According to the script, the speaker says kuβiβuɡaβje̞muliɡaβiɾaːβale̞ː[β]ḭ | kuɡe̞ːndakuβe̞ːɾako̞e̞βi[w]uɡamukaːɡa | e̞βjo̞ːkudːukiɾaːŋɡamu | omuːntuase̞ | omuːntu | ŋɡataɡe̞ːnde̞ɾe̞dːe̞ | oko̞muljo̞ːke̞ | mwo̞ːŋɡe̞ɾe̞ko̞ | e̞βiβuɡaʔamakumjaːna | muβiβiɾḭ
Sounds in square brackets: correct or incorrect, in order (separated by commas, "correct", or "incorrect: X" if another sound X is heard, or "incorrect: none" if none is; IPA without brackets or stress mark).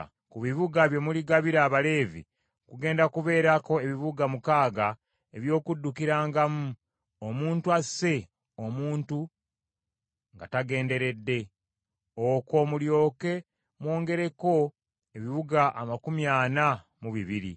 incorrect: v, incorrect: β